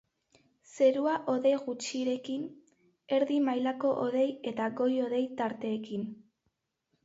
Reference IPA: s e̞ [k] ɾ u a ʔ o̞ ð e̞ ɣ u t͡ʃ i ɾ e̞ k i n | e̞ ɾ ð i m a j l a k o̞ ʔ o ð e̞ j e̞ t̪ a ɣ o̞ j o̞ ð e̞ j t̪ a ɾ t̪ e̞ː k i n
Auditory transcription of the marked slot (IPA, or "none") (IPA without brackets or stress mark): none